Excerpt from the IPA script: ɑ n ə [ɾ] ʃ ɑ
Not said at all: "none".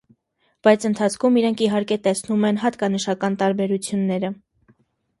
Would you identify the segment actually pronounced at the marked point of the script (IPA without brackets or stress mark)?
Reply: none